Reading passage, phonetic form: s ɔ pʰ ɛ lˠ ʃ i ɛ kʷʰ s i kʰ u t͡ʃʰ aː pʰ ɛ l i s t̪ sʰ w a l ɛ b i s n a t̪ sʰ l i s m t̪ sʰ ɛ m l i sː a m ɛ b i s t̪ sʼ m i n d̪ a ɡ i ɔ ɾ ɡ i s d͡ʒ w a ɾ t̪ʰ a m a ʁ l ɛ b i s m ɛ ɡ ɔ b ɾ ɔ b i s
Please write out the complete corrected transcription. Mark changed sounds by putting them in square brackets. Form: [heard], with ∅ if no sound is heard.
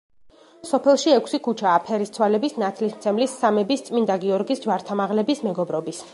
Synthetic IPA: s ɔ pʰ ɛ lˠ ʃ i ɛ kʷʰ s i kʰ u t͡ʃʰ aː pʰ ɛ [ɾ] i s t̪ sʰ w a l ɛ b i s n a t̪ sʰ l i s m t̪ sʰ ɛ m l i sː a m ɛ b i s t̪ sʼ m i n d̪ a ɡ i ɔ ɾ ɡ i s d͡ʒ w a ɾ t̪ʰ a m a ʁ l ɛ b i s m ɛ ɡ ɔ b ɾ ɔ b i s